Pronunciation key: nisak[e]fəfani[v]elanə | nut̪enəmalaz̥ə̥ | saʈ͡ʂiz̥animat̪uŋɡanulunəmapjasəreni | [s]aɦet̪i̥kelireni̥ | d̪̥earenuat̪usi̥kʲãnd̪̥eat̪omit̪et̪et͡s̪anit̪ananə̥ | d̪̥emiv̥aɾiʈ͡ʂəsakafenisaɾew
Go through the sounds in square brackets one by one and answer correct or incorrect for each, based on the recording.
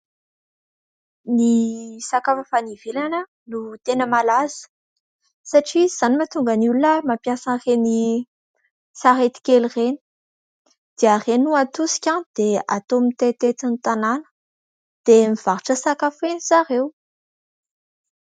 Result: incorrect: a, correct, correct

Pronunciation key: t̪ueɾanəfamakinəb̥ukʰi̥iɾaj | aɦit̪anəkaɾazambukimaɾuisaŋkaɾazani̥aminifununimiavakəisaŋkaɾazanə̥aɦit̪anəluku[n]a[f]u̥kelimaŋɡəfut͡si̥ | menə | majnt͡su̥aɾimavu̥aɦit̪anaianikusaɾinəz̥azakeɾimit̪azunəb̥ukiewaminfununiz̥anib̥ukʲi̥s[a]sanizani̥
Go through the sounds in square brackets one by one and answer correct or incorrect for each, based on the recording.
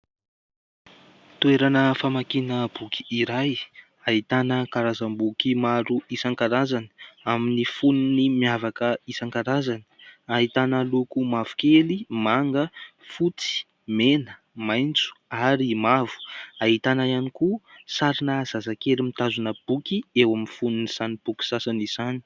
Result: incorrect: m, incorrect: v, correct

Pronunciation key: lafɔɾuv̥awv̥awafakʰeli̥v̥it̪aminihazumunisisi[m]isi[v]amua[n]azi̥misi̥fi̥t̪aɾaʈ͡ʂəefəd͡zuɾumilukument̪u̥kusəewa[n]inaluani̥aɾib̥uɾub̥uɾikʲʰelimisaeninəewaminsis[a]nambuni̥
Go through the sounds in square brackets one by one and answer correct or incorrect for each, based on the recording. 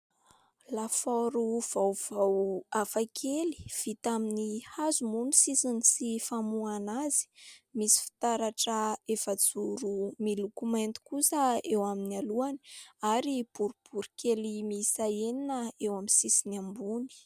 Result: incorrect: n, incorrect: f, correct, incorrect: m, incorrect: i

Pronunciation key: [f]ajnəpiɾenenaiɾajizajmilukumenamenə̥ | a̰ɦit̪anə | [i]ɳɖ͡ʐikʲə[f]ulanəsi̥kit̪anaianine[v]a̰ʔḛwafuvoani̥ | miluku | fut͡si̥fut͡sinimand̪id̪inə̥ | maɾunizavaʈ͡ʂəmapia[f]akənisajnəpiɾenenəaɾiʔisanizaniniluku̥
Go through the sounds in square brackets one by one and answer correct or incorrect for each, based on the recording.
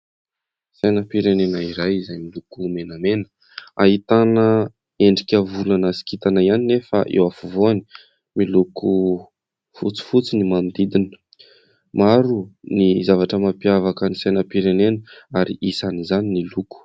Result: incorrect: s, incorrect: e, incorrect: v, incorrect: f, incorrect: v

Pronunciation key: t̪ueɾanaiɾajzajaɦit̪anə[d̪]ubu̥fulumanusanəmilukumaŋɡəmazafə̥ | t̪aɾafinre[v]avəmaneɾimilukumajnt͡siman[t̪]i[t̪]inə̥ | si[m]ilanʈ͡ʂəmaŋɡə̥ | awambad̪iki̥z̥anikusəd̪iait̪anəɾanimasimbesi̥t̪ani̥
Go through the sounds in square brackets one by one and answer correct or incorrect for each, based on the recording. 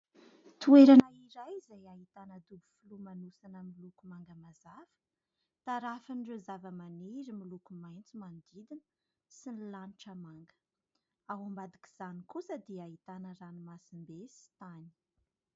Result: correct, incorrect: z, incorrect: d̪, incorrect: d̪, incorrect: n

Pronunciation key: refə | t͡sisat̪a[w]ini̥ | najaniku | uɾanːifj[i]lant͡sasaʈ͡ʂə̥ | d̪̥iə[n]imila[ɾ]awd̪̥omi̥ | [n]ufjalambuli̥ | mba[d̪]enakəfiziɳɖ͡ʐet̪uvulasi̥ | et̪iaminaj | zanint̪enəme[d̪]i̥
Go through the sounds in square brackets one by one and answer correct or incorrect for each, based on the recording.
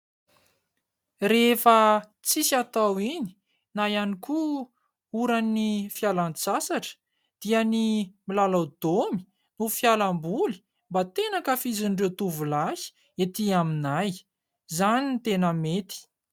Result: correct, incorrect: a, correct, incorrect: l, correct, incorrect: t̪, incorrect: t̪

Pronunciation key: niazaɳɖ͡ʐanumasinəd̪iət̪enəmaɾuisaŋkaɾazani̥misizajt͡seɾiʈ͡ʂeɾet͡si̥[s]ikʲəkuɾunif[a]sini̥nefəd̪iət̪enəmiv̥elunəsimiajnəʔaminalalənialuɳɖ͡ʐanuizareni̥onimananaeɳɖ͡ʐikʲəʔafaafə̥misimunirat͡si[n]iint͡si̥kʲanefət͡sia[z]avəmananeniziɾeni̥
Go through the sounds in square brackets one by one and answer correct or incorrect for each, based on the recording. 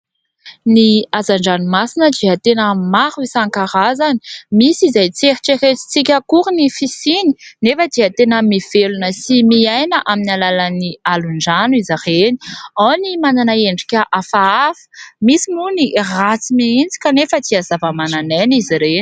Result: incorrect: t͡s, incorrect: i, incorrect: m, correct

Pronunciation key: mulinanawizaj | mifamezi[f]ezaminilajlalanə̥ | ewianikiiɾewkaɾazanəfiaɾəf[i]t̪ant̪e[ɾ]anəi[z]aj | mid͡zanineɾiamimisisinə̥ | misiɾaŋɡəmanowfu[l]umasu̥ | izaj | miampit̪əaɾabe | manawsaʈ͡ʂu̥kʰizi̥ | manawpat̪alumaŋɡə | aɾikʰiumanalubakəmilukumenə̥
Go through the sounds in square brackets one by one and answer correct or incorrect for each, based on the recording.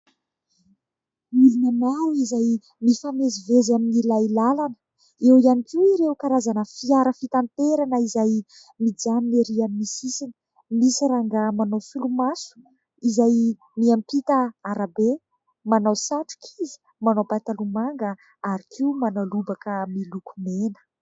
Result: incorrect: v, correct, correct, correct, correct

